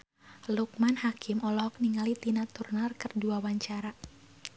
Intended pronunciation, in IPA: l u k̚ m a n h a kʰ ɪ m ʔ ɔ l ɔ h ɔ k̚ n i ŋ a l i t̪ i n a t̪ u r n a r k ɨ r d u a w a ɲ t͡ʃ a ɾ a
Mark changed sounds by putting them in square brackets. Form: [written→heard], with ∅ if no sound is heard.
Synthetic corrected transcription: l u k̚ m a n h a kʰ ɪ m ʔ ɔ l ɔ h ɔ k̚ n i ŋ a l i t̪ i n a t̪ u r n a r k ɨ r d u a w a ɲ t͡ʃ a ɾ a